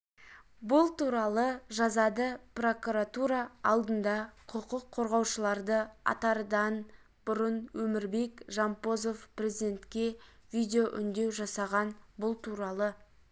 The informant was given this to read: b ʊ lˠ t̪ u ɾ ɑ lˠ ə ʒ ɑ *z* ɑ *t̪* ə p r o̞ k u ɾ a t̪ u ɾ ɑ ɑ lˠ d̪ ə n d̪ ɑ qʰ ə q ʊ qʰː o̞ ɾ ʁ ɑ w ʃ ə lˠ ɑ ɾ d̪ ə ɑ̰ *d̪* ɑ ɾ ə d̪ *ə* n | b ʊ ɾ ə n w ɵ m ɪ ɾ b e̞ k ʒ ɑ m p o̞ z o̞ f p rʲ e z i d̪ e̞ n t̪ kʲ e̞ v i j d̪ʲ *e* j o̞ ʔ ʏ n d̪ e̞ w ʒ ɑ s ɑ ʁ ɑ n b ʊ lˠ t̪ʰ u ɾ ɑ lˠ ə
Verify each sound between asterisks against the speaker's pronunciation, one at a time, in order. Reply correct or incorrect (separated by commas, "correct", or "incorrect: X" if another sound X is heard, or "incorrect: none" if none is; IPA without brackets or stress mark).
correct, incorrect: d̪, incorrect: t̪, incorrect: ɑ, correct